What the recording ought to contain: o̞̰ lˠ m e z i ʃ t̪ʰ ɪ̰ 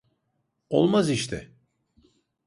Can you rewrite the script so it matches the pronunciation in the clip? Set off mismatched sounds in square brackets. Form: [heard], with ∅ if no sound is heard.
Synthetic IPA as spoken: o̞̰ lˠ m [a] z i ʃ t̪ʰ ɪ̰